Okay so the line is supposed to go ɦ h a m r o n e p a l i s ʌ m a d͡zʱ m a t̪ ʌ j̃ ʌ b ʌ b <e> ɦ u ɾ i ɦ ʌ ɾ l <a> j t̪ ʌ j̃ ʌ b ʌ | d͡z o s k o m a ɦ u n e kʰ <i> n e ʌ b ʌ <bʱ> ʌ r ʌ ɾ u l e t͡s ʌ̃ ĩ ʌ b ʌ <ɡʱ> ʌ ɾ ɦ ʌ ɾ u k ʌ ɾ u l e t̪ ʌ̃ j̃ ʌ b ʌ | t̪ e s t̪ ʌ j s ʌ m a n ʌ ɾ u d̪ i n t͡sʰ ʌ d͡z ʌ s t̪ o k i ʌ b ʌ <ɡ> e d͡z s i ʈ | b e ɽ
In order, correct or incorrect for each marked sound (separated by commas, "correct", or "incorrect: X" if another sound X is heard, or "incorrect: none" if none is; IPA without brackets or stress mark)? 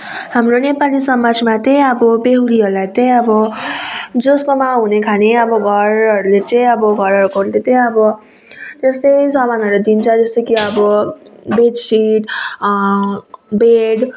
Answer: correct, correct, incorrect: a, incorrect: ɡʱ, correct, incorrect: b